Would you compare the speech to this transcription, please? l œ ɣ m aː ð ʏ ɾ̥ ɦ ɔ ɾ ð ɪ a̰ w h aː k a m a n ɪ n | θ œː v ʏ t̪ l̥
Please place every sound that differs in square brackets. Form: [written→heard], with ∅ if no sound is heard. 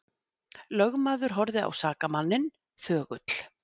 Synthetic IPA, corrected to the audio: l œ ɣ m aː ð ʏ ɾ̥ ɦ ɔ ɾ ð ɪ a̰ w [h→s] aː k a m a [n→nː] ɪ n | θ œː [v→ɣ] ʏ t̪ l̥